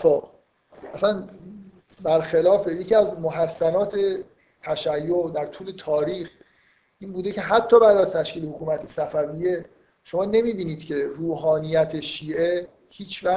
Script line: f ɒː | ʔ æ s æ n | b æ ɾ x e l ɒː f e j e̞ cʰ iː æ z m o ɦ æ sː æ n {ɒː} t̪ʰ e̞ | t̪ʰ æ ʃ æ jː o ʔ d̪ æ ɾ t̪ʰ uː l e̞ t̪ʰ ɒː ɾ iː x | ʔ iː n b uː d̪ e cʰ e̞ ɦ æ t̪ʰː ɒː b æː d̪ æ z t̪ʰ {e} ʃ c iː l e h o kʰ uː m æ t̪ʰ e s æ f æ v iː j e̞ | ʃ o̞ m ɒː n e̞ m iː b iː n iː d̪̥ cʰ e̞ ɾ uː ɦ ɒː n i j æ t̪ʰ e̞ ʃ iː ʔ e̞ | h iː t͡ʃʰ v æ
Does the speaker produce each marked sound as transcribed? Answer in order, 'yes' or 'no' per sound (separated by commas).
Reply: yes, no